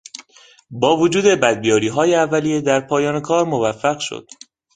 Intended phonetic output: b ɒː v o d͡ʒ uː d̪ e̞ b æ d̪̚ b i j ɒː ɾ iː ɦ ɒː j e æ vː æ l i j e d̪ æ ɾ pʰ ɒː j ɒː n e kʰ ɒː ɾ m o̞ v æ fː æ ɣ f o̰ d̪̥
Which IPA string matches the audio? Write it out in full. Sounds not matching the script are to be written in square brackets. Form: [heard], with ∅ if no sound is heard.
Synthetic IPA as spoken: b ɒː v o d͡ʒ uː d̪ e̞ b æ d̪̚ b i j ɒː ɾ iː ɦ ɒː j e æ vː æ l i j e d̪ æ ɾ pʰ ɒː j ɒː n e kʰ ɒː ɾ m o̞ v æ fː æ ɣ [ʃ] o̰ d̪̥